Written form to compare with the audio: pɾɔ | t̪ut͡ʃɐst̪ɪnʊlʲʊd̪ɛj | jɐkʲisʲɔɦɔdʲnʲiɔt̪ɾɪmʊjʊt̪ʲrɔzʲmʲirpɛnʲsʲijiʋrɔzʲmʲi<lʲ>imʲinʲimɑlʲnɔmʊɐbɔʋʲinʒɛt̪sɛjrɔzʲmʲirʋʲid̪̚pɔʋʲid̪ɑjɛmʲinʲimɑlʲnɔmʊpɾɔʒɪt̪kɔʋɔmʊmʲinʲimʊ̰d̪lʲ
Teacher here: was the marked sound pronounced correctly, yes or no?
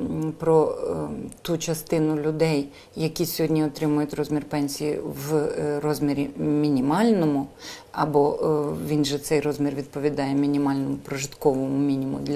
no